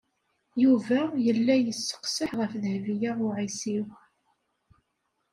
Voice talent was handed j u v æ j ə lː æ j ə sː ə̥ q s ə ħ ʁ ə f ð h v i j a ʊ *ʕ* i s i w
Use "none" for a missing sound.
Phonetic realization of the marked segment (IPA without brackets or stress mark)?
ʕ